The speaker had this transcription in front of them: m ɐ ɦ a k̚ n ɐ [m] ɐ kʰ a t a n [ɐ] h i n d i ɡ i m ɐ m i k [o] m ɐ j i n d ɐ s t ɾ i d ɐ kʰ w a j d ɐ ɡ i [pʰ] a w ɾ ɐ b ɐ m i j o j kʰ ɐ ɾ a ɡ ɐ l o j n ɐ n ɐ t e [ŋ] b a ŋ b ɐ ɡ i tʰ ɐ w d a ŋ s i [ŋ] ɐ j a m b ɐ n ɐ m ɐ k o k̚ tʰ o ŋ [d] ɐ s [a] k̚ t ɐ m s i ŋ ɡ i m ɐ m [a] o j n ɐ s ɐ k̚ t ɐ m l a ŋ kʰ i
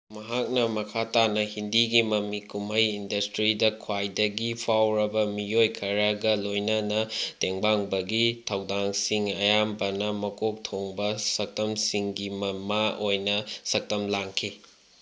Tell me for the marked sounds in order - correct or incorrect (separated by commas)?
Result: correct, correct, incorrect, correct, correct, correct, incorrect, incorrect, correct